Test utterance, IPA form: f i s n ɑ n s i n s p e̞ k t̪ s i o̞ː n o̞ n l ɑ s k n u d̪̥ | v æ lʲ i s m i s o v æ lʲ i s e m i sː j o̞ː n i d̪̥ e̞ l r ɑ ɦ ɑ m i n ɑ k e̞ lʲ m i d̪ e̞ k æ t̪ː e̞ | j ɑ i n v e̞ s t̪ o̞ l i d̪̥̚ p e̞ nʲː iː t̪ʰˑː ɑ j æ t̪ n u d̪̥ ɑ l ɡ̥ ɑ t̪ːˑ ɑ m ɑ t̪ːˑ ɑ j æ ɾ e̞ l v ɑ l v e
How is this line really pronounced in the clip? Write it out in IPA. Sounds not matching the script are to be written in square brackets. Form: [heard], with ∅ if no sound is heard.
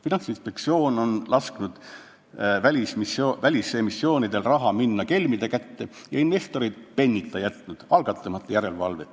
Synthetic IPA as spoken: f i [∅] n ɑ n s i n s p e̞ k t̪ s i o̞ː n o̞ n l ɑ s k n u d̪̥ | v æ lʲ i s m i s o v æ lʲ i s e m i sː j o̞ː n i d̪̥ e̞ l r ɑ ɦ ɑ m i [nː] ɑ k e̞ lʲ m i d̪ e̞ k æ t̪ː e̞ | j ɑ i n v e̞ s t̪ o̞ [ɾ] i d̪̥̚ p e̞ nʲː [i] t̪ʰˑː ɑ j æ t̪ n u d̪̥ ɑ l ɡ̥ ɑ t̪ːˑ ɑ m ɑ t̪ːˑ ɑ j æ ɾ e̞ l v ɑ l v e